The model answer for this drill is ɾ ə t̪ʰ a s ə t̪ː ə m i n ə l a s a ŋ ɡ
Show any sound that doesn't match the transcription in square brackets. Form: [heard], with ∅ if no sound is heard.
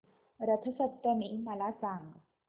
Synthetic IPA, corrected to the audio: ɾ ə t̪ʰ [ə] s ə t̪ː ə m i [m] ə l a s a ŋ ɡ